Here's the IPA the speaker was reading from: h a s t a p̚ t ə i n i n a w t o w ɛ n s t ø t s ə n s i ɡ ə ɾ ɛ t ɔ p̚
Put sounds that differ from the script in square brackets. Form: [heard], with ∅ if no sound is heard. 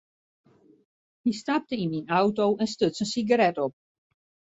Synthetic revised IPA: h [i] s t a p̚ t ə i n i n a w t o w ɛ n s t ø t s ə n s i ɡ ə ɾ ɛ t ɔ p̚